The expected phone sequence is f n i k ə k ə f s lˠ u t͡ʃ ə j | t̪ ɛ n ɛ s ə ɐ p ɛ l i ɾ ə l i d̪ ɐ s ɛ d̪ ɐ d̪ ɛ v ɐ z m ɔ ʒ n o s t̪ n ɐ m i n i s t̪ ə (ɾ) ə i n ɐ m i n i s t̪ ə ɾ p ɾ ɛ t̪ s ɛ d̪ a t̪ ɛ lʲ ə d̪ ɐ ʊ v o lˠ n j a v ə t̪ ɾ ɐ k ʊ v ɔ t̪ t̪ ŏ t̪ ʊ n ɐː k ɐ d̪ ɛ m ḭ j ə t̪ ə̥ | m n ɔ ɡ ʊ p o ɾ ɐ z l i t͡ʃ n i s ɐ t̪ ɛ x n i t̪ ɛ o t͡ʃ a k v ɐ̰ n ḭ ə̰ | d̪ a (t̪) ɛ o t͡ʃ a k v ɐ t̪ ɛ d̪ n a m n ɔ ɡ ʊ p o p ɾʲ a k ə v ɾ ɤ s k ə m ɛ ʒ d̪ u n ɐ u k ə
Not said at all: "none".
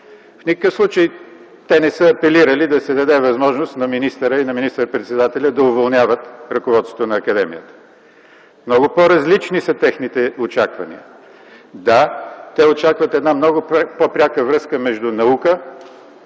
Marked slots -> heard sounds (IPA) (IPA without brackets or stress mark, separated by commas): ɾ, t̪